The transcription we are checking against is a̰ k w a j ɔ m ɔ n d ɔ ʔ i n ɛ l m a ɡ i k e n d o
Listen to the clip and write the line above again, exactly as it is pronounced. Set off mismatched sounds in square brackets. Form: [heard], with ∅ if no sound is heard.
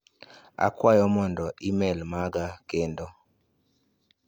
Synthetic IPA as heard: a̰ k w a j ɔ m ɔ n d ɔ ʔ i [m] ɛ l m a ɡ [a] k e n d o